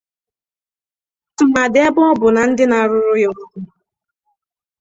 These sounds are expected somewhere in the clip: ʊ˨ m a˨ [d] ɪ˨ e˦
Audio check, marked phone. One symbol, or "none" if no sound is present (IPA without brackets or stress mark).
d